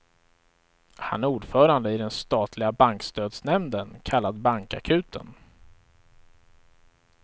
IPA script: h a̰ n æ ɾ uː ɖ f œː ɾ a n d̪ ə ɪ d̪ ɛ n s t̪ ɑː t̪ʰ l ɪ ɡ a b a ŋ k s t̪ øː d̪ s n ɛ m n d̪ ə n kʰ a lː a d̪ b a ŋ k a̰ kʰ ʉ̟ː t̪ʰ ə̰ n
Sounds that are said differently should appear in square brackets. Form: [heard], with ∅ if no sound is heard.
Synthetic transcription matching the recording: h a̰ n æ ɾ uː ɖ f œː ɾ a n d̪ ə ɪ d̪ ɛ n s t̪ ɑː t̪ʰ l ɪ ɡ a b a ŋ k s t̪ øː d̪ s n ɛ m n d̪ ə n kʰ a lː a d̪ b a ŋ k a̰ kʰ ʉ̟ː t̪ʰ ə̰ n